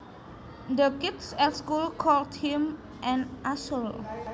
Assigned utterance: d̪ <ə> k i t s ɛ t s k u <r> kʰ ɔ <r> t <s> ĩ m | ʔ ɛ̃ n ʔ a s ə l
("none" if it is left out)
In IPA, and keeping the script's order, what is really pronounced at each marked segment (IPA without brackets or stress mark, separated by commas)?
ə, l, l, h